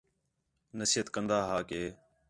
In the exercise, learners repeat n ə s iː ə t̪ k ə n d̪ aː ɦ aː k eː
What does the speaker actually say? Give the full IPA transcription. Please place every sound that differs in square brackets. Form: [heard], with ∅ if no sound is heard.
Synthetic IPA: n ə s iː ə t̪ k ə n d̪ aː ɦ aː k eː